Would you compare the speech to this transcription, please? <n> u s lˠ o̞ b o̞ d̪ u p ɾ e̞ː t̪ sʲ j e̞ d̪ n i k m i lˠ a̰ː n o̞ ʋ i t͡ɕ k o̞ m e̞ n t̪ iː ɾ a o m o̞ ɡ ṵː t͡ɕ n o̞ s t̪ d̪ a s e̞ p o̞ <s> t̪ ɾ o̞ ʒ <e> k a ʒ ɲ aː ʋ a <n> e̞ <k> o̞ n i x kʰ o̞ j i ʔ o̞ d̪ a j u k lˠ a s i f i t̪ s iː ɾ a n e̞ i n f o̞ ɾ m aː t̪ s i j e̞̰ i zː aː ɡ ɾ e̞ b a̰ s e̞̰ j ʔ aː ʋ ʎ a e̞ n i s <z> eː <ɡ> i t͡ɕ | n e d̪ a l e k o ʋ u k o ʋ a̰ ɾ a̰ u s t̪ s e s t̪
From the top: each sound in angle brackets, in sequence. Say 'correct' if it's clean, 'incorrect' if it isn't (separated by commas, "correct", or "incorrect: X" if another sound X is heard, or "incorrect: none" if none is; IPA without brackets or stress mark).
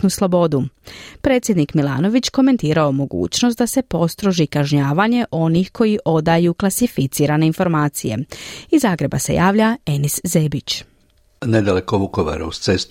correct, correct, incorrect: i, incorrect: ɲ, incorrect: ʔ, correct, incorrect: b